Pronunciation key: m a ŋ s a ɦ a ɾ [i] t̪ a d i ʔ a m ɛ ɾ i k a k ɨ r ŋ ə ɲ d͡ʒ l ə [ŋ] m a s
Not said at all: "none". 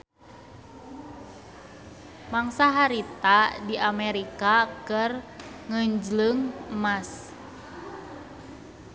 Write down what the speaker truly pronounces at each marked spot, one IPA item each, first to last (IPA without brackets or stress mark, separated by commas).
i, ŋ